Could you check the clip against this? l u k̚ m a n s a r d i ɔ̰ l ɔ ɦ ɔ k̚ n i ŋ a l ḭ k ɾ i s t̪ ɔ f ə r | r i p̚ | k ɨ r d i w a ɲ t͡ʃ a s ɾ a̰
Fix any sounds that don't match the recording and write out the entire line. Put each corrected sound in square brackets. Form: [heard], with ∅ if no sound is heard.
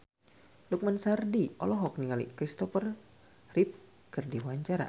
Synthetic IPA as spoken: l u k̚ m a n s a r d i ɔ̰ l ɔ ɦ ɔ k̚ n i ŋ a l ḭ k ɾ i s t̪ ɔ f ə r | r i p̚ | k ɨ r d i w a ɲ t͡ʃ a [∅] ɾ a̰